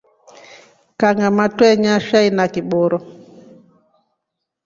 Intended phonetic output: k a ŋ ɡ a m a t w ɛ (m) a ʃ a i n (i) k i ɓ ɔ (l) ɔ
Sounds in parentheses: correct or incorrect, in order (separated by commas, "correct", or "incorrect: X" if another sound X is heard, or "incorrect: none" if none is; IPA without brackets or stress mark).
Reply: incorrect: ɲ, incorrect: a, incorrect: ɾ